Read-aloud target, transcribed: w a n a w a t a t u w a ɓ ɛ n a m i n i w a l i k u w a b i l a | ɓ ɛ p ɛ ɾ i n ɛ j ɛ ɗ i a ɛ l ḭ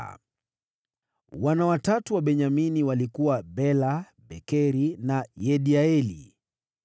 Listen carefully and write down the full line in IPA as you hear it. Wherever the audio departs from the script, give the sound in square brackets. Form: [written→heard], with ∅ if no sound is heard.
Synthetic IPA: w a n a w a t a t u w a ɓ ɛ [n→ɲ] a m i n i w a l i k u w a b [i→ɛ] l a | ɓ ɛ [p→k] ɛ ɾ i n [ɛ→a] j ɛ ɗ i a ɛ l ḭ